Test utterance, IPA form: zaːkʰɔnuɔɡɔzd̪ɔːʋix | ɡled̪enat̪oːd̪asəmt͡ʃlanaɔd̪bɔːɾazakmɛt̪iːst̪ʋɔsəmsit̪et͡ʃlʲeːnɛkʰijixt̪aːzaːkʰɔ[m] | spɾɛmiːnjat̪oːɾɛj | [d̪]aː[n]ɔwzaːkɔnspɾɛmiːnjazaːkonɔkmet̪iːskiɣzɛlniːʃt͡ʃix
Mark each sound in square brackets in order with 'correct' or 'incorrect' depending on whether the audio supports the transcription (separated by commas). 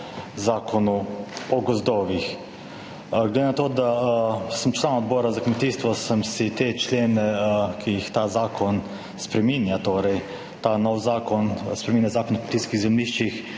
incorrect, incorrect, correct